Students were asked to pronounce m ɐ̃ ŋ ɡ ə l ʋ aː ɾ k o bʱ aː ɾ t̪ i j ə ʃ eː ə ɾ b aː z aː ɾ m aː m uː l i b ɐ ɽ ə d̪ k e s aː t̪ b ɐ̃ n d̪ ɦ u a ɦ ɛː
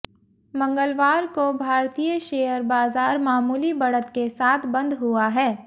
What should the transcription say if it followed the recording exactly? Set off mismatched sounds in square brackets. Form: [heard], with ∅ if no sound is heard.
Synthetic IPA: m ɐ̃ ŋ ɡ ə l ʋ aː ɾ k o bʱ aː ɾ t̪ i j ə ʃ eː ə ɾ b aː z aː ɾ m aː m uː l i b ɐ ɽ ə [t̪] k e s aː [t̪ʰ] b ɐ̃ n d̪ ɦ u a ɦ ɛː

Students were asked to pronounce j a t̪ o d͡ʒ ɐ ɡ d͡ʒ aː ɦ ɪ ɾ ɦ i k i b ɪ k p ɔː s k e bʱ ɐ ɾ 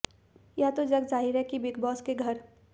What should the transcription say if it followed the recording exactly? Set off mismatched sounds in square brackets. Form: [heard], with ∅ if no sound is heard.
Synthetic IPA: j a t̪ o d͡ʒ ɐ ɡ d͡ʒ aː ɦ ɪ ɾ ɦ [ɛ] k i b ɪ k [b] ɔː s k e [ɡʱ] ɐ ɾ

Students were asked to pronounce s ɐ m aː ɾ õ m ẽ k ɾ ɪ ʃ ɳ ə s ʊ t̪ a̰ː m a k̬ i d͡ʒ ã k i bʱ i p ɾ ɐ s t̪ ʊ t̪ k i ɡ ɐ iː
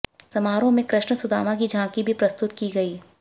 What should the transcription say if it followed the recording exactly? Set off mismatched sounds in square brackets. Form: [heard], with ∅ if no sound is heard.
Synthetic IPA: s ɐ m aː ɾ õ m ẽ k ɾ ɪ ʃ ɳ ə s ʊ [d̪] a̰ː m a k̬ i d͡ʒ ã k i bʱ i p ɾ ɐ s t̪ ʊ t̪ k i ɡ ɐ iː

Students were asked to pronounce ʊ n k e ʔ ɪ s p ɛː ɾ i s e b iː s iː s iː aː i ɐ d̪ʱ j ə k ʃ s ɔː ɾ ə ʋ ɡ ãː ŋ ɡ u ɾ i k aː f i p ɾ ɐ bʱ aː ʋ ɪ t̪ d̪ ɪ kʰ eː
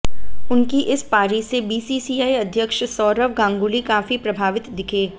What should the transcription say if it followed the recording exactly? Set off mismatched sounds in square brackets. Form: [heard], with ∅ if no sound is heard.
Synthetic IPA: ʊ n k [i] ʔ ɪ s p [aː] ɾ i s e b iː s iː s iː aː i ɐ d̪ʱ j ə k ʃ s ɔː ɾ ə ʋ ɡ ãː ŋ ɡ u [l] i k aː f i p ɾ ɐ bʱ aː ʋ ɪ t̪ d̪ ɪ kʰ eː

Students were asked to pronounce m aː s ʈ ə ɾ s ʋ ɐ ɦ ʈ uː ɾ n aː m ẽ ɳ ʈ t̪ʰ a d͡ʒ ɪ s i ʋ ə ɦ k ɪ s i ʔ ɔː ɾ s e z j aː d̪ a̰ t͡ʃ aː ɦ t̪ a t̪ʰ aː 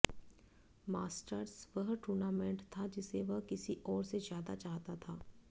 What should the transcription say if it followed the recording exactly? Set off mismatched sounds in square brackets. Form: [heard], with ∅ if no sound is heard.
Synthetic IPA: m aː s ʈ ə ɾ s ʋ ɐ ɦ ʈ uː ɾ n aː m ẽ ɳ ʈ t̪ʰ a d͡ʒ ɪ s [e] ʋ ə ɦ k ɪ s i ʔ ɔː ɾ s e z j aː d̪ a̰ t͡ʃ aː ɦ t̪ a t̪ʰ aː

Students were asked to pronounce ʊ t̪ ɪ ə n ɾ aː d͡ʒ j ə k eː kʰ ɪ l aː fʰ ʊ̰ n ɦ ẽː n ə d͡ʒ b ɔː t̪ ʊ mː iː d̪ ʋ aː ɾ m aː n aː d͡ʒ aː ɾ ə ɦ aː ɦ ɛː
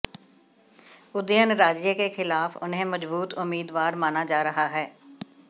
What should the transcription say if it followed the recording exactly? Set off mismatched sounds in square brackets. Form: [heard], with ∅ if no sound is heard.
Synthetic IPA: ʊ [d̪] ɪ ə n ɾ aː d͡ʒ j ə k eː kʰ ɪ l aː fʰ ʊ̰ n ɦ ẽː [m] ə d͡ʒ b [uː] t̪ ʊ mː iː d̪ ʋ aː ɾ m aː n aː d͡ʒ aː ɾ ə ɦ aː ɦ ɛː

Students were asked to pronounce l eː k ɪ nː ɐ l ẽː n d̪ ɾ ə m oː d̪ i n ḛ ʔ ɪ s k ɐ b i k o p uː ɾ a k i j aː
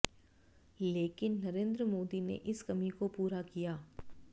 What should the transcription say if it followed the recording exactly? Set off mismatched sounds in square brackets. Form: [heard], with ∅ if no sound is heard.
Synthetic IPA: l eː k ɪ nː ɐ [ɾ] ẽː n d̪ ɾ ə m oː d̪ i n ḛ ʔ ɪ s k ɐ [m] i k o p uː ɾ a k i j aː

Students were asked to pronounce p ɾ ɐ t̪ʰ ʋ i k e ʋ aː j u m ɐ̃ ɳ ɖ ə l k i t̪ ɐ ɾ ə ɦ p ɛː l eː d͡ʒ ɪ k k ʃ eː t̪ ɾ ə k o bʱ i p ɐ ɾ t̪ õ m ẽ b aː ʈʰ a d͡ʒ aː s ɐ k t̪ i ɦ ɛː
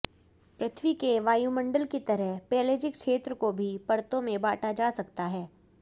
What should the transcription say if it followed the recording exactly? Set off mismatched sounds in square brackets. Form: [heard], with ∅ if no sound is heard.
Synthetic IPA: p ɾ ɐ t̪ʰ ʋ i k e ʋ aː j u m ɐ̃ ɳ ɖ ə l k i t̪ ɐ ɾ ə ɦ p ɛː l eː d͡ʒ ɪ k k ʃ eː t̪ ɾ ə k o bʱ i p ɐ ɾ t̪ õ m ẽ b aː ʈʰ a d͡ʒ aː s ɐ k t̪ [a] ɦ ɛː

